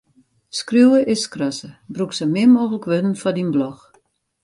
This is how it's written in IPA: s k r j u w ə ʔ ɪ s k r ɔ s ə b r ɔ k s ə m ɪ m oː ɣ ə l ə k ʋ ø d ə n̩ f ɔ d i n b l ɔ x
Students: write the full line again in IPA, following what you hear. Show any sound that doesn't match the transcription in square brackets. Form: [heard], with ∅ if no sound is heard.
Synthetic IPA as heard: s k r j u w ə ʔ ɪ s k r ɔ s ə b r [u] k s ə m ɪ m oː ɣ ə l ə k ʋ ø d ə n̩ f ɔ d i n b l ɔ x